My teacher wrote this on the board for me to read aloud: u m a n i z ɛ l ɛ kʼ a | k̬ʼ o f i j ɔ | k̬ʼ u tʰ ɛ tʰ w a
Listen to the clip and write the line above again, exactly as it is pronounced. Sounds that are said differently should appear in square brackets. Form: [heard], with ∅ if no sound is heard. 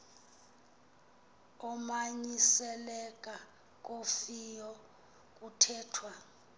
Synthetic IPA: [ɔ] m a [ɲ] i [s] ɛ l ɛ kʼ a | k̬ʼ o f i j ɔ | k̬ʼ u tʰ [ɛː] tʰ w a